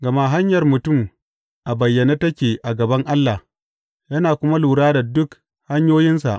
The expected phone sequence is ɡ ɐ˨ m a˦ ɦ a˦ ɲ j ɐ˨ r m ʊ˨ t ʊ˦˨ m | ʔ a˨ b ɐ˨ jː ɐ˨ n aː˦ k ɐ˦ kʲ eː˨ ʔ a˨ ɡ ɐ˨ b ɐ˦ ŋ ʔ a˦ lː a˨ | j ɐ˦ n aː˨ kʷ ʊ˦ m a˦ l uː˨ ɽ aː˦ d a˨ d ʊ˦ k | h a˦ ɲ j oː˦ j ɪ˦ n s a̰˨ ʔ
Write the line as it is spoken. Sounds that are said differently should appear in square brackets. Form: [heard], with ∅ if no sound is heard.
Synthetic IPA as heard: ɡ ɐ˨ m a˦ ɦ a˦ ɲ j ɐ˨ r m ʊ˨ t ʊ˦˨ m | ʔ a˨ b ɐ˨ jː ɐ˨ n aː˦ [t] ɐ˦ kʲ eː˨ ʔ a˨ ɡ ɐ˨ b ɐ˦ ŋ ʔ a˦ lː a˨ | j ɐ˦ n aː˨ kʷ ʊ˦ m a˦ l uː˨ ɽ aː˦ d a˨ d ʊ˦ k | h a˦ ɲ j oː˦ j ɪ˦ n s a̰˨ ʔ